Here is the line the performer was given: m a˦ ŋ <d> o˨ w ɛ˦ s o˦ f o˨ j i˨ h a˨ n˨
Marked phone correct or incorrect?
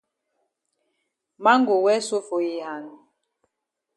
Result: incorrect